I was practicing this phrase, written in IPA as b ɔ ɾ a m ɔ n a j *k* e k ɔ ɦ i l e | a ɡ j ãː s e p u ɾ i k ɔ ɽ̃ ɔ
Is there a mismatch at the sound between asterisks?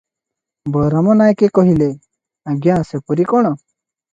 no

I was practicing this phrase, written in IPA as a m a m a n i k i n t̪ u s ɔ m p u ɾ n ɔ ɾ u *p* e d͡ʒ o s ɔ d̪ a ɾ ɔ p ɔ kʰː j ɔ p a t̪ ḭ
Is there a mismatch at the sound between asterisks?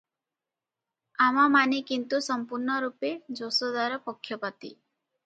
no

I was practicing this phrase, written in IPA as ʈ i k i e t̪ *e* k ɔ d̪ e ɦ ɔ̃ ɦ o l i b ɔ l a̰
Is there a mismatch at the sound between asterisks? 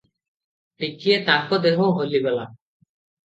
yes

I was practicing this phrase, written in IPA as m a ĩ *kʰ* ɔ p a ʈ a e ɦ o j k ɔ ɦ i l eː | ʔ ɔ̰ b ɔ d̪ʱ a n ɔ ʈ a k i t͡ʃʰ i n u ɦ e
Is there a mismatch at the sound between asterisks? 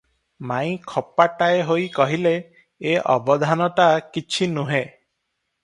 no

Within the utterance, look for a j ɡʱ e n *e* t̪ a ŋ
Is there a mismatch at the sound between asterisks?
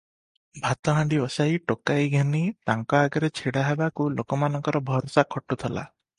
yes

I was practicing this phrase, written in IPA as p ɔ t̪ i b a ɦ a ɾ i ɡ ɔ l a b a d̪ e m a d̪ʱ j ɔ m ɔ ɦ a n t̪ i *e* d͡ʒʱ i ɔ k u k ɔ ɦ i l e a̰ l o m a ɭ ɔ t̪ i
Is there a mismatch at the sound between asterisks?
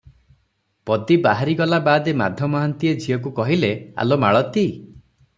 no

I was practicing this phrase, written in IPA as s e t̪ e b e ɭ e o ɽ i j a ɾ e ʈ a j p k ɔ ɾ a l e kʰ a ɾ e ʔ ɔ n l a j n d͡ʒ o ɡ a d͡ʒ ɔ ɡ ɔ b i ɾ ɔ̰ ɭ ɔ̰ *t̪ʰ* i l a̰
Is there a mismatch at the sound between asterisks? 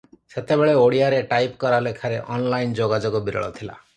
no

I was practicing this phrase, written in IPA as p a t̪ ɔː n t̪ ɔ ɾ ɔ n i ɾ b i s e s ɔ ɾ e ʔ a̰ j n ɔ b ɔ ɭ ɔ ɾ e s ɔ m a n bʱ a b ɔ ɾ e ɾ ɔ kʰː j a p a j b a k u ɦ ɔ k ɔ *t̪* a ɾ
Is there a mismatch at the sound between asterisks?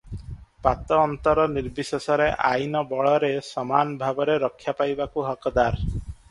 yes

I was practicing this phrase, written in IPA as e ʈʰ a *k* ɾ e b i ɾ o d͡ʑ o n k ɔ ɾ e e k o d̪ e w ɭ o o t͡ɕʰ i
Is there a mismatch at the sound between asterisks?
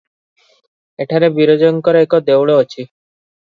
yes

